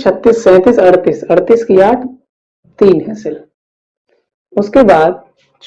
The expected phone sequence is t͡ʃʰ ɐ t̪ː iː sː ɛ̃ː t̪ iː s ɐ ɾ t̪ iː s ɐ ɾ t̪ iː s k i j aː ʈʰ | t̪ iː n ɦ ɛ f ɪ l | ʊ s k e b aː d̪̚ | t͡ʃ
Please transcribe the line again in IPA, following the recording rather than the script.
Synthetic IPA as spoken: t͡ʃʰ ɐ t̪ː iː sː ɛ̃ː t̪ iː s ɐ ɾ t̪ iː s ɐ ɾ t̪ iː s k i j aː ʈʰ | t̪ iː n ɦ ɛ s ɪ l | ʊ s k e b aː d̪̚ | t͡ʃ